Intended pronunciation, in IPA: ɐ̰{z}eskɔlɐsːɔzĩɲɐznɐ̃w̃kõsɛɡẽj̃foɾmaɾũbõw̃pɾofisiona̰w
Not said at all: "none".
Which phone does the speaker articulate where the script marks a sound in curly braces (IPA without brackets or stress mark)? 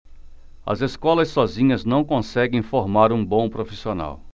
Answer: z